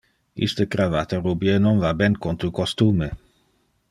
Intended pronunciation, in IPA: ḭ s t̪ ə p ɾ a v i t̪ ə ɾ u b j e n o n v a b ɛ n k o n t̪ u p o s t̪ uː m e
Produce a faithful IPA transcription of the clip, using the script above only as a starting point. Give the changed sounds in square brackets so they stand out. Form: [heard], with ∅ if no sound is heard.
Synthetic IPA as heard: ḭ s t̪ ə [k] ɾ a v [a] t̪ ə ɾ u b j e n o n v a b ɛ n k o n t̪ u [k] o s t̪ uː m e

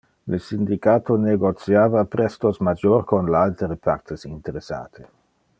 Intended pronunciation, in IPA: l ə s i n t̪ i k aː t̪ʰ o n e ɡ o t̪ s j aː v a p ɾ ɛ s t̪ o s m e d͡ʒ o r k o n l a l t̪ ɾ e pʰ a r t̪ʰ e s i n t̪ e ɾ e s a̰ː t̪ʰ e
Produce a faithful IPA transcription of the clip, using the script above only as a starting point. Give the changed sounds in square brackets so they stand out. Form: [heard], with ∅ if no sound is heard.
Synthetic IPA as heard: l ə s i n [d̪] i k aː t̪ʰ o n e ɡ o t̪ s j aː v a p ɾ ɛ s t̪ o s m [a] d͡ʒ o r k o n l a l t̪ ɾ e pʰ a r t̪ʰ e s i n t̪ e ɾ e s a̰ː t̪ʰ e

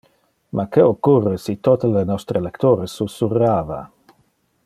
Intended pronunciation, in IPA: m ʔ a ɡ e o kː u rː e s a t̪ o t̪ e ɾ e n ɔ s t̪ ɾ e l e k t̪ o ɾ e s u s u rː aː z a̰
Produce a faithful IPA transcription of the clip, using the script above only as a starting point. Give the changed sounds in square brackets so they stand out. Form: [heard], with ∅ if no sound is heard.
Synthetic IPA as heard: m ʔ a [k] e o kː u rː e s [i] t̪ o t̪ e [l] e n ɔ s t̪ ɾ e l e k t̪ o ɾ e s u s u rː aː [v] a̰

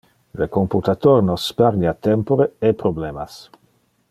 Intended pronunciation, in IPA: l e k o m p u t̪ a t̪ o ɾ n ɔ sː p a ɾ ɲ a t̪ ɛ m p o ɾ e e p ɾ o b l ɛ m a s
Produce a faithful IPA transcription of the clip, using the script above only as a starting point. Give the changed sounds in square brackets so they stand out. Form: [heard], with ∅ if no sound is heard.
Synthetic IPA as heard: l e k o m p u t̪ a t̪ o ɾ n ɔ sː p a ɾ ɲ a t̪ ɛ m p o ɾ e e p ɾ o b l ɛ m a s

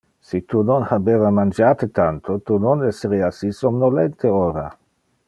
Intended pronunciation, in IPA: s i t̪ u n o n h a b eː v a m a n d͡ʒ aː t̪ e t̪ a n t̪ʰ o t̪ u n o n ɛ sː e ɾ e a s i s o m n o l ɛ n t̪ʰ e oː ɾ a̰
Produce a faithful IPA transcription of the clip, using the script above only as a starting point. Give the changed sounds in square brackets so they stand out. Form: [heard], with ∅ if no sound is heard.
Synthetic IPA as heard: s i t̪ u n o n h a b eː v a m a n d͡ʒ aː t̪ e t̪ a n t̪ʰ o t̪ u n o n ɛ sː e ɾ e a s i s o m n o l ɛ n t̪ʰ e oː ɾ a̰

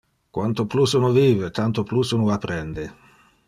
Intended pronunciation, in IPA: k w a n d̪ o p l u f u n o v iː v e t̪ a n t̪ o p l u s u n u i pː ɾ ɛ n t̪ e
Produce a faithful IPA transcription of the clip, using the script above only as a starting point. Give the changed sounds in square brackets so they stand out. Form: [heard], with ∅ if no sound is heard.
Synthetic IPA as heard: k w a n [t̪] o p l u [s] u n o v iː v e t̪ a n t̪ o p l u s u n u [a] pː ɾ ɛ n [d̪] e

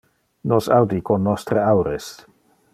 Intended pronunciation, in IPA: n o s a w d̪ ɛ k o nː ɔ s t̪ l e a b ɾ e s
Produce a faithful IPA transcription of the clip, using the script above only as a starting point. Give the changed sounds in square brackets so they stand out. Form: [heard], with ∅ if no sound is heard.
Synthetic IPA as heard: n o s a w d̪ [i] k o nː ɔ s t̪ [ɾ] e a [w] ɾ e s

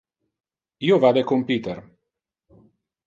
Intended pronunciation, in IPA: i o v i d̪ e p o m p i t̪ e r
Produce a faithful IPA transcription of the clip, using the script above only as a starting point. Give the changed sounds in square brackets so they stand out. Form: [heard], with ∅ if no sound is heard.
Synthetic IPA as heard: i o v [a] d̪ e [k] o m p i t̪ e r

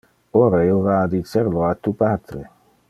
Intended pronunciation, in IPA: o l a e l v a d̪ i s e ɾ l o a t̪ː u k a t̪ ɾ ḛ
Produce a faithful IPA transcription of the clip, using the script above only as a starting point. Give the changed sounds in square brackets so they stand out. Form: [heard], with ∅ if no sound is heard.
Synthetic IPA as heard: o [ɾ] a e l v a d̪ i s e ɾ l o a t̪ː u [p] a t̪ ɾ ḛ

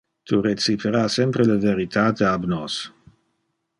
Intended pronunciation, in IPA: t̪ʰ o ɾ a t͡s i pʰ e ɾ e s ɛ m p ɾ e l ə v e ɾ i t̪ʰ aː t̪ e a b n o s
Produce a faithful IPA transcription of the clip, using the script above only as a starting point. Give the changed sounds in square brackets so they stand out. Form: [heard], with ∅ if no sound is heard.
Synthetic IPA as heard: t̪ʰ [u] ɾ [e] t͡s i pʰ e ɾ [a] s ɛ m p ɾ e l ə v e ɾ i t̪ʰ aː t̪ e a b n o s

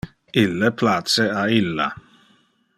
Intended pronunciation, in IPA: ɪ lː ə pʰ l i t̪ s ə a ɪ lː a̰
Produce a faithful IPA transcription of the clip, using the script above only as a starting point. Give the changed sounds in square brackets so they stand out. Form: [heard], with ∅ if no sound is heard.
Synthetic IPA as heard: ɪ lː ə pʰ l [a] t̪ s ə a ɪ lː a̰

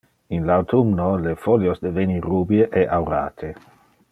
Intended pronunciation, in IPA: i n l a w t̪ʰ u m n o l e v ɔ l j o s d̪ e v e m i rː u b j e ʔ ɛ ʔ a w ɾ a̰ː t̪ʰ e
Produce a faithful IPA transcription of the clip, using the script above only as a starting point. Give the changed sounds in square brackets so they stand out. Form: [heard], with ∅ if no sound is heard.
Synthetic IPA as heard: i n l a w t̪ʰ u m n o l e [f] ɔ l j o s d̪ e v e [n] i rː u b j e ʔ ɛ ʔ a w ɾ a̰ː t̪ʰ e

